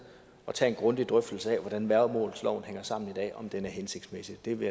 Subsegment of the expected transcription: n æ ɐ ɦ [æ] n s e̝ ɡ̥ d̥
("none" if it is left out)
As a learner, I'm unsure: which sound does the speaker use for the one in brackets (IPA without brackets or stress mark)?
e